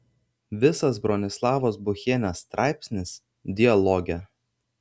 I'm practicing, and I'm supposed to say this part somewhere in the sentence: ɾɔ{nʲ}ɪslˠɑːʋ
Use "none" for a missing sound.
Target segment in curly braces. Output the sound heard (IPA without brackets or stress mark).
nʲ